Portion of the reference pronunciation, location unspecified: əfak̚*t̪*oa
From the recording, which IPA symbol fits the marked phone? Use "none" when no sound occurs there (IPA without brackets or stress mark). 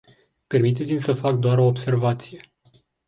d̪